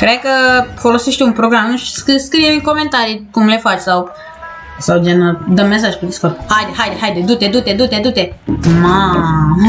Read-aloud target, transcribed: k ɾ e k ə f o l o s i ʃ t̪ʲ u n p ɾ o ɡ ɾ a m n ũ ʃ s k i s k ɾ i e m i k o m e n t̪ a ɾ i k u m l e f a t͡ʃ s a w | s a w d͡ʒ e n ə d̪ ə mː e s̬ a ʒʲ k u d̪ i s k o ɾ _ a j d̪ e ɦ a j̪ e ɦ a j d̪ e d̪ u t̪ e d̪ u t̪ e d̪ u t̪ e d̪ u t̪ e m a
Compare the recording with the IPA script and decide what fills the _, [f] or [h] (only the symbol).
h